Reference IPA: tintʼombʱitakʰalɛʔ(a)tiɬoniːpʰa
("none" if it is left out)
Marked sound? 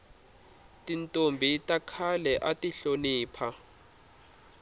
a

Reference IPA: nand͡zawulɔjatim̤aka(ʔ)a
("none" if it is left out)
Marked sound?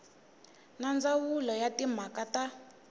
t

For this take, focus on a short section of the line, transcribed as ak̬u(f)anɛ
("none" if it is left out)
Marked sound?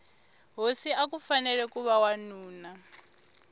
f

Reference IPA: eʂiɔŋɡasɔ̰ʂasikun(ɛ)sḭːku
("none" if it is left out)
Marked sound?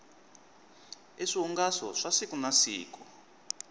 a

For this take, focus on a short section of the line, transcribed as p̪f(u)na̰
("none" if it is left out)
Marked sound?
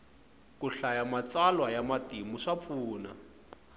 uː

